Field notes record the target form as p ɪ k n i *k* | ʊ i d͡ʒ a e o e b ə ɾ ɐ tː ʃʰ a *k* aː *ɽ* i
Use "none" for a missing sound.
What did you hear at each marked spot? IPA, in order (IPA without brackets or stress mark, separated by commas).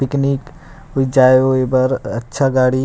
k, ɡ, ɽ